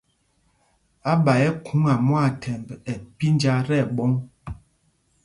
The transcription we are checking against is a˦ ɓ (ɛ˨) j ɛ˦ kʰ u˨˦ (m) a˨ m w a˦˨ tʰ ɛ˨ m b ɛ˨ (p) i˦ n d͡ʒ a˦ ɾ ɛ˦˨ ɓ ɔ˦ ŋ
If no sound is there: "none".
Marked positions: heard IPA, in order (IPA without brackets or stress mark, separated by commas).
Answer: a˨, ŋ, p